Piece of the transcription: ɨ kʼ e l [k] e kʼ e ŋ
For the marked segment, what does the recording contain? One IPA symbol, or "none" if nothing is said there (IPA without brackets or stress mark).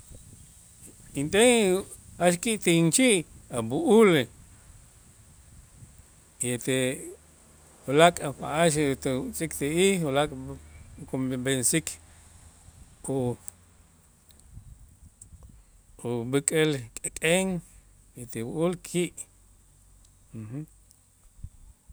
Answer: kʼ